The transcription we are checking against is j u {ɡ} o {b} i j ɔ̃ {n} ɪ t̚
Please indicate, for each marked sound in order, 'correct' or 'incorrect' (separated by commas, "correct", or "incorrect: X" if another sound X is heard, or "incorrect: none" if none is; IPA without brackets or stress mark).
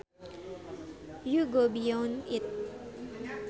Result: correct, correct, correct